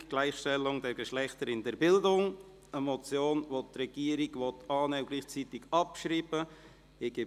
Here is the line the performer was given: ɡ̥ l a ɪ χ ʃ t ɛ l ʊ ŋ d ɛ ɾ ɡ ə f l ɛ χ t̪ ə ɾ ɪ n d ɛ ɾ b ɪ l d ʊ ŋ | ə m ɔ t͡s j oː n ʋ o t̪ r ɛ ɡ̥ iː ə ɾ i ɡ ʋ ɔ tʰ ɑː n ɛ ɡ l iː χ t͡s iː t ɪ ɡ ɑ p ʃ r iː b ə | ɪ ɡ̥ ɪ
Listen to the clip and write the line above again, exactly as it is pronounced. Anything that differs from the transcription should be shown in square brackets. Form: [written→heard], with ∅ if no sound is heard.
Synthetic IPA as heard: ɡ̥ l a ɪ χ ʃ t ɛ l ʊ ŋ d ɛ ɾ ɡ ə [f→ʃ] l ɛ χ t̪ ə ɾ ɪ n d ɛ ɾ b ɪ l d ʊ ŋ | ə m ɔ t͡s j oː n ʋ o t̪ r ɛ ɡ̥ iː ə ɾ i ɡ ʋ ɔ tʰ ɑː n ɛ ɡ l iː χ t͡s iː t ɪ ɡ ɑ p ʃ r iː b ə | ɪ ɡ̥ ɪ